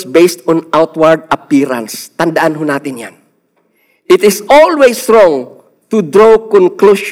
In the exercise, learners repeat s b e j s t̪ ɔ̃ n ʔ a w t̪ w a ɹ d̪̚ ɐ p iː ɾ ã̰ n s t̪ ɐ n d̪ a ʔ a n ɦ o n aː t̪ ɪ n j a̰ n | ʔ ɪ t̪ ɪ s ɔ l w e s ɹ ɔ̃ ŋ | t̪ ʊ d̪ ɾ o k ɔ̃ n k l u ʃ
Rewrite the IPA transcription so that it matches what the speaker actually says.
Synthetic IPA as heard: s b e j s t̪ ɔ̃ n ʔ a w t̪ w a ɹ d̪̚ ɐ p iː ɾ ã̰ n s t̪ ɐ n d̪ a ʔ a n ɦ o n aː t̪ ɪ n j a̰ n | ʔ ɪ t̪ ɪ s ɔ l w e s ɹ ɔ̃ ŋ | t̪ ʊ d̪ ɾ o k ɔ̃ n k l u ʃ